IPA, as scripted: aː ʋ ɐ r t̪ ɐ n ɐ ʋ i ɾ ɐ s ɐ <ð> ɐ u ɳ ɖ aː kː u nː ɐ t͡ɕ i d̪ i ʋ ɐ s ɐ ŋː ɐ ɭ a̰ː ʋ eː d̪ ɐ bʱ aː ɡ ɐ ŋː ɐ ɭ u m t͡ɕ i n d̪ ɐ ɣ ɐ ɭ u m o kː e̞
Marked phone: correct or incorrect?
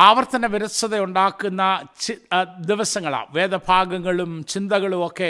correct